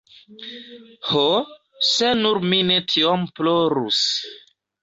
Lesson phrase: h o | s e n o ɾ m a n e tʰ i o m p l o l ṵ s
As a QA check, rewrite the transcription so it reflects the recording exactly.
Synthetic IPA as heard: h o | s e n u ɾ m i n e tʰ i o m p l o ɾ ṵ s